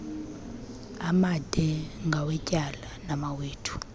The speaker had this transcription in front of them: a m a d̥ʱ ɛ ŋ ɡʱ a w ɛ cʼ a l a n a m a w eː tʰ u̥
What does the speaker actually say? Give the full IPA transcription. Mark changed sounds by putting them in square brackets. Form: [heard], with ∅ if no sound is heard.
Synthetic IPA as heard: a m a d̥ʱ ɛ ŋ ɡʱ a w ɛ cʼ a l a n a m a w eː tʰ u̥